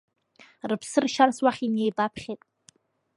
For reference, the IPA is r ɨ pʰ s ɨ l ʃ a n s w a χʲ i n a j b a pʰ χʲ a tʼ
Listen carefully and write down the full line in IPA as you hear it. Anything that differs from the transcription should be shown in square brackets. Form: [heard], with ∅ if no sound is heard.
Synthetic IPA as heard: r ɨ pʰ s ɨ [r] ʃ a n s w a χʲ i n [e] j b a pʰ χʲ [e] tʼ